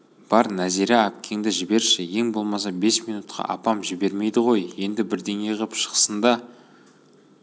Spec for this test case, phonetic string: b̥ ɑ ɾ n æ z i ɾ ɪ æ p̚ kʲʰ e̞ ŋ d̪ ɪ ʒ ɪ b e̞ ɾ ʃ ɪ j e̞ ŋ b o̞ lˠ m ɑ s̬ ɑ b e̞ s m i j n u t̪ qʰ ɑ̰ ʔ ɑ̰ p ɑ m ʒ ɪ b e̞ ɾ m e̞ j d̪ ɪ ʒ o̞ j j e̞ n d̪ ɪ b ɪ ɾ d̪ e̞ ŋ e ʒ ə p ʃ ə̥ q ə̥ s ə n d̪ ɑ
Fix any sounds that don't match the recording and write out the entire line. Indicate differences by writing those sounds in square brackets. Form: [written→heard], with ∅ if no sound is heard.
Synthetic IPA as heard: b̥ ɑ ɾ n æ z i ɾ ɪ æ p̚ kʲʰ e̞ ŋ d̪ ɪ ʒ ɪ b e̞ ɾ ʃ ɪ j e̞ ŋ b o̞ lˠ m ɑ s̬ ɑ b e̞ s m i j n u t̪ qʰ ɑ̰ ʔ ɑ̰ p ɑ m ʒ ɪ b e̞ ɾ m e̞ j d̪ ɪ [ʒ→ʁ] o̞ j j e̞ n d̪ ɪ b ɪ ɾ d̪ e̞ ŋ e [ʒ→ʁ] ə p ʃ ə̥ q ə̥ s ə n d̪ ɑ